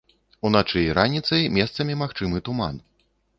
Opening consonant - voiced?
yes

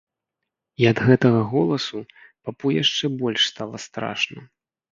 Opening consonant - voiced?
yes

